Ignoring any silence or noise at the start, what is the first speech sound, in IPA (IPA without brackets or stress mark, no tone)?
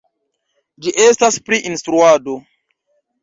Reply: d͡ʒ